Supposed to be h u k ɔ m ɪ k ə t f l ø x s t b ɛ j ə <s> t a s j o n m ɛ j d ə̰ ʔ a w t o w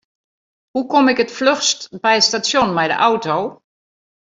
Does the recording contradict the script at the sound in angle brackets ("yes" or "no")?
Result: no